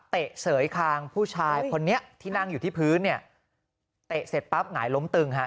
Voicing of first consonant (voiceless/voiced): voiceless